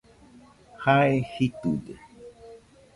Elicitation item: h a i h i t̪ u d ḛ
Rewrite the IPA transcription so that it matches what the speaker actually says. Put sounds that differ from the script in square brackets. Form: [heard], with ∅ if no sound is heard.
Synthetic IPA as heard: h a [e] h i t̪ u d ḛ